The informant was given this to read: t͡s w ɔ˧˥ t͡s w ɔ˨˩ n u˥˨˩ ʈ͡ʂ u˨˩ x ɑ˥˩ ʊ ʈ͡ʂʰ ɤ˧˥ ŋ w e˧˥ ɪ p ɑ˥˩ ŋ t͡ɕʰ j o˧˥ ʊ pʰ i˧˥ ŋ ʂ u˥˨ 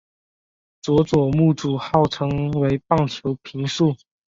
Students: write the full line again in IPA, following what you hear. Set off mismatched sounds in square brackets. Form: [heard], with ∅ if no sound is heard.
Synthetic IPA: t͡s w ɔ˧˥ t͡s w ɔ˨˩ [m] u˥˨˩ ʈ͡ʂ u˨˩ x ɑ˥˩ ʊ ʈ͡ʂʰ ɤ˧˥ ŋ w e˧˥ ɪ p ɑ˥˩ ŋ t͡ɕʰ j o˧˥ ʊ pʰ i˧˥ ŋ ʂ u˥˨